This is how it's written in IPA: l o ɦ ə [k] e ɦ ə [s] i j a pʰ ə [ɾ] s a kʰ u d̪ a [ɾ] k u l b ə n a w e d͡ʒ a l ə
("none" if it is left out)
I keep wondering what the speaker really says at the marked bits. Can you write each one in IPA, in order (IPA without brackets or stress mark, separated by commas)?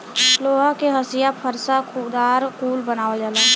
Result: k, s, ɾ, ɾ